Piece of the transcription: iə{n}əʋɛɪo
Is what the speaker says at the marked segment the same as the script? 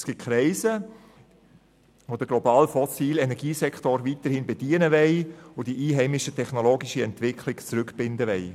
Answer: yes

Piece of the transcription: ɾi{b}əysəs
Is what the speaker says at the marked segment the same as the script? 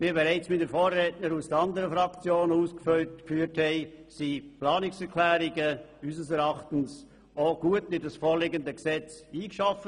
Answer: no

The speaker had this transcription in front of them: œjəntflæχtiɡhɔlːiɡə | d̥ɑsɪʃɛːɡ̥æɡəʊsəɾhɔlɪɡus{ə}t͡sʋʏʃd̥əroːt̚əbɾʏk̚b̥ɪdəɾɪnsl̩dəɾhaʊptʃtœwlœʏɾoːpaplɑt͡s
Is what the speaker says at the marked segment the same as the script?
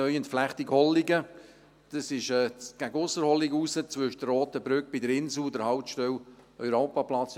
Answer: yes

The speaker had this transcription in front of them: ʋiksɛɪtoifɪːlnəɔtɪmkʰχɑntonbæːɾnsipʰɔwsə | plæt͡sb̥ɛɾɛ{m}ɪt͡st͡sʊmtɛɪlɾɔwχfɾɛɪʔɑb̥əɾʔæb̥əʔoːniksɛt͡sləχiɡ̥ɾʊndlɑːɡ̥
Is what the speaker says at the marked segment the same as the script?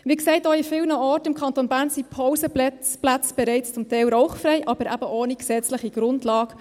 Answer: no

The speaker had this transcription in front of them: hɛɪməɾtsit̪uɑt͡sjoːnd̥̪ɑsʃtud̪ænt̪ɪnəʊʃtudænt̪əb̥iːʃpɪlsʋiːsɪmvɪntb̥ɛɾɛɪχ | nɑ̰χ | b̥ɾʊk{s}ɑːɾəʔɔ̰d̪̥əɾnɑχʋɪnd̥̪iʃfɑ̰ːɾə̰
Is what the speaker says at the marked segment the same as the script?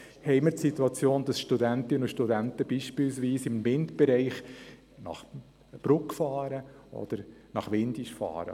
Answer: no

